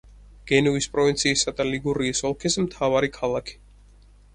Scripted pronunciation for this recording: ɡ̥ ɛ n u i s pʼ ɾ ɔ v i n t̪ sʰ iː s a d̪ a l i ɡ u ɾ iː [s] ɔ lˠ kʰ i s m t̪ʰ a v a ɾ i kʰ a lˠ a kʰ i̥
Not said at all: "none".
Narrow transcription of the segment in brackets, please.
s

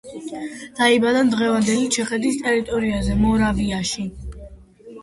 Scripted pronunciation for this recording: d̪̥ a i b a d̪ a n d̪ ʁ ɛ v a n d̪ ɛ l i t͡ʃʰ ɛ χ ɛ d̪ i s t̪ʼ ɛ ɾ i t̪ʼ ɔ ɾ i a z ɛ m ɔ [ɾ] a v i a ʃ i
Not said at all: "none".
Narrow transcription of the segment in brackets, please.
ɾ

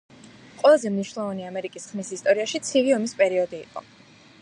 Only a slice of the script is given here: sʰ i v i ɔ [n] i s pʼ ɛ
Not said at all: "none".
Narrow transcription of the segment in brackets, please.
m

